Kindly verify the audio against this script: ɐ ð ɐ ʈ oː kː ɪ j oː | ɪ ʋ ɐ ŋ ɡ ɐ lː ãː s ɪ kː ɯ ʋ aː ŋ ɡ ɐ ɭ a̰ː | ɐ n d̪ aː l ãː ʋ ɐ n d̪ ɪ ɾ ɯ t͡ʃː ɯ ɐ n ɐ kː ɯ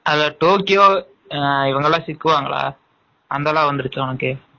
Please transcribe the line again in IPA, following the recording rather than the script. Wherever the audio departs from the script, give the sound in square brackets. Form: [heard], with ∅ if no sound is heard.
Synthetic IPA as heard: ɐ ð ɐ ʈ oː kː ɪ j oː | ɪ ʋ ɐ ŋ ɡ ɐ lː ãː s ɪ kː ɯ ʋ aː ŋ ɡ ɐ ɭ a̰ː | ɐ n d̪ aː l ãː ʋ ɐ n d̪ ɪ ɾ ɯ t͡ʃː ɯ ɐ n ɐ kː ɯ